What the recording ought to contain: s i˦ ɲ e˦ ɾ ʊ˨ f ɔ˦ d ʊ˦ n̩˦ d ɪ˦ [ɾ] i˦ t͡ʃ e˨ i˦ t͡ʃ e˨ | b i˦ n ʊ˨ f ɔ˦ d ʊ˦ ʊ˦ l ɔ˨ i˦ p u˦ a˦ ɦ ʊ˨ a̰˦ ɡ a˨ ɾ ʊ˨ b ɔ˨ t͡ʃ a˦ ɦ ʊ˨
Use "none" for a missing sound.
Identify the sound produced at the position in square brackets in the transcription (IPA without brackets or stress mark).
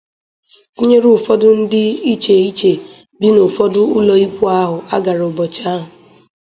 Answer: none